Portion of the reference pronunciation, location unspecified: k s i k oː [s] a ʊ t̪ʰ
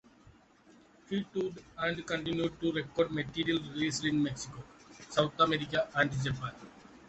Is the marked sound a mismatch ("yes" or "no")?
no